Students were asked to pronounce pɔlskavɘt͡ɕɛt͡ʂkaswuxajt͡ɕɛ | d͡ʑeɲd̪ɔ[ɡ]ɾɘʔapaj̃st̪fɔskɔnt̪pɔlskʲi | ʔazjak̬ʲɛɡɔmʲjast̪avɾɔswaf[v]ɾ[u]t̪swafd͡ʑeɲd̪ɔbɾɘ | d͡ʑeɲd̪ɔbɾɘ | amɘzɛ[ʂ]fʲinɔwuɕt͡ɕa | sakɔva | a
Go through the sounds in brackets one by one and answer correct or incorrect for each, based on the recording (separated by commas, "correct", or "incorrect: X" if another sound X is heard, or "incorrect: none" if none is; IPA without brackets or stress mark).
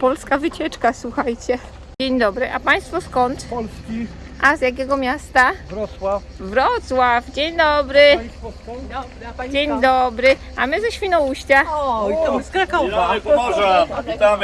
incorrect: b, correct, incorrect: ɔ, incorrect: ɕ